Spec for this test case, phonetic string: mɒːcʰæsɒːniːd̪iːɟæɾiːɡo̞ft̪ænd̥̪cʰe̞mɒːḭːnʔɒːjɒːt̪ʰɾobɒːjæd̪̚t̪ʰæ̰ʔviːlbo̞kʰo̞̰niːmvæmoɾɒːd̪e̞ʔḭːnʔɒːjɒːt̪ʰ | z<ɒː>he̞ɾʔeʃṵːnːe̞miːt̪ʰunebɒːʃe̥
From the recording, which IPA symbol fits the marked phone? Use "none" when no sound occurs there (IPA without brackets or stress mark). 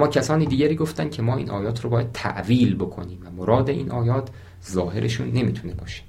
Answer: ɒː